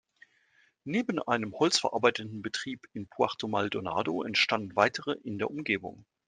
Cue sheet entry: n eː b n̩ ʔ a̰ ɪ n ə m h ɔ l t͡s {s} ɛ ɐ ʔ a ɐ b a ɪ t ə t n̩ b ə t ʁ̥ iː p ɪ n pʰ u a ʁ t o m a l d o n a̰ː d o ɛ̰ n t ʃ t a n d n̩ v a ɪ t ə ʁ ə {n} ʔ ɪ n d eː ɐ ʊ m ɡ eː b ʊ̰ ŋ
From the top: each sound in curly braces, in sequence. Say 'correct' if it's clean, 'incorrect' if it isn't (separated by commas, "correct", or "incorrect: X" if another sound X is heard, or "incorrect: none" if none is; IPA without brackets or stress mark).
incorrect: f, incorrect: none